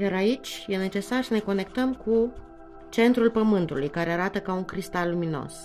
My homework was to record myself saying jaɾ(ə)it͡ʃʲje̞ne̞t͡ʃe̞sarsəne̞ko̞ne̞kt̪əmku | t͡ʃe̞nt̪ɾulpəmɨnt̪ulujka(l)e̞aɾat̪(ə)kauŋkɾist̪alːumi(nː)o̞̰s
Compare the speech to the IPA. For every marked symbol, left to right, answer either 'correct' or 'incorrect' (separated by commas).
incorrect, incorrect, correct, incorrect